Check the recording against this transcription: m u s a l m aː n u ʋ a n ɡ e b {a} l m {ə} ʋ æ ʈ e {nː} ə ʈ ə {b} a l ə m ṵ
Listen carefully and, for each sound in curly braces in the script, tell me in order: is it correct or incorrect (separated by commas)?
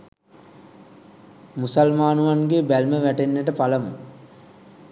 incorrect, correct, correct, incorrect